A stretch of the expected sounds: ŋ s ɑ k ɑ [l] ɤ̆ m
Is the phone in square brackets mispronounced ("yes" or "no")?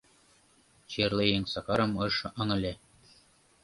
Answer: yes